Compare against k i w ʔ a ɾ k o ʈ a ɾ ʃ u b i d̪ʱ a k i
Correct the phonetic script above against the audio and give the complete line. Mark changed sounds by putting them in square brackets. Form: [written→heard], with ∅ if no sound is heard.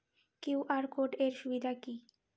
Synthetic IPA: k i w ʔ a ɾ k o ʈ [a→e] ɾ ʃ u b i d̪ʱ a k i